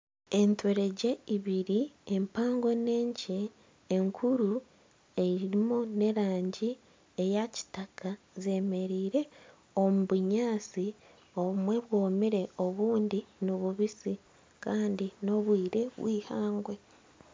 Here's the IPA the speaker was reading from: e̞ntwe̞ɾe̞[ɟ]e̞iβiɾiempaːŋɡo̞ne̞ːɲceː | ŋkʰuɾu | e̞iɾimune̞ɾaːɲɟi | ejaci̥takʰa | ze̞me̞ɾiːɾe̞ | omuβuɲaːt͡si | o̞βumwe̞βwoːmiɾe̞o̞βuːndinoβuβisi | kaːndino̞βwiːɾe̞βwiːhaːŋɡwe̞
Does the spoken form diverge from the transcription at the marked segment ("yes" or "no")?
no